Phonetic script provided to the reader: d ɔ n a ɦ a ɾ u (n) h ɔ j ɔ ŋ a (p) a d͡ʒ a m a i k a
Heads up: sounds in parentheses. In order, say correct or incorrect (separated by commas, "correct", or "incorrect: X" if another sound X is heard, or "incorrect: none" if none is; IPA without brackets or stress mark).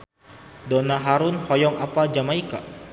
correct, correct